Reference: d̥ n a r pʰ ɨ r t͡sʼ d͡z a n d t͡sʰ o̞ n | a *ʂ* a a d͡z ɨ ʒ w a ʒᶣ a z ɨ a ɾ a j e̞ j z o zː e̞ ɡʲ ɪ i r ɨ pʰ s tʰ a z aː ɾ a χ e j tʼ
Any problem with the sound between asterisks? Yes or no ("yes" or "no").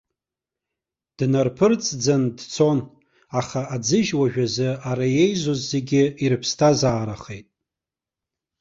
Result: yes